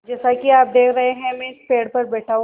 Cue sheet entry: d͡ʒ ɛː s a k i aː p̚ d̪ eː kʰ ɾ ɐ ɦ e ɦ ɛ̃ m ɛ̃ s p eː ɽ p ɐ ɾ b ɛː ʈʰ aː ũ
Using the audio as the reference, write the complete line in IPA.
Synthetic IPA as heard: d͡ʒ ɛː s a k i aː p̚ d̪ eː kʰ ɾ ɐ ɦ e ɦ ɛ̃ m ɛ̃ s p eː ɽ p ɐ ɾ b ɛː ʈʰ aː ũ